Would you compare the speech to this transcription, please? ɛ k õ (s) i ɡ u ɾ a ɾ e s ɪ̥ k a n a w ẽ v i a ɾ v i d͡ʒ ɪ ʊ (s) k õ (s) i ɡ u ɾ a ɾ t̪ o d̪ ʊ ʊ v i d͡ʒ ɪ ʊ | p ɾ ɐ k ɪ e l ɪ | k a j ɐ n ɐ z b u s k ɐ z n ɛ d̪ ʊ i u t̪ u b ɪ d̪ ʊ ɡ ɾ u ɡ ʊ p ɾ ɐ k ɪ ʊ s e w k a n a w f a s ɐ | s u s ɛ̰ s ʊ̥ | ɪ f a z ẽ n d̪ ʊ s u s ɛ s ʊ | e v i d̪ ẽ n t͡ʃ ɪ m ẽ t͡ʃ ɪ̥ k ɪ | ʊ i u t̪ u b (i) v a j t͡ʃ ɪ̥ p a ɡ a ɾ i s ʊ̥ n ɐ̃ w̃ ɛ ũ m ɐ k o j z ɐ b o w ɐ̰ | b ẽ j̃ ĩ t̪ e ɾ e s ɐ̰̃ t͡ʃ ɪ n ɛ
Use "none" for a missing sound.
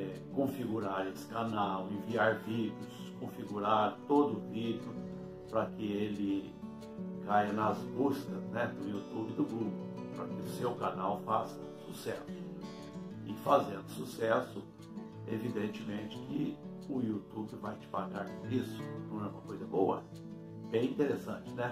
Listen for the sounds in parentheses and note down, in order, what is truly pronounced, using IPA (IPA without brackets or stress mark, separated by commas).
f, s, f, ɪ